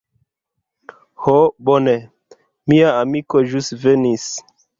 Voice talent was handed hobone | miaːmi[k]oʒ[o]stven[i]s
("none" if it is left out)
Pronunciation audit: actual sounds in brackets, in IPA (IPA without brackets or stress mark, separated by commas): k, u, i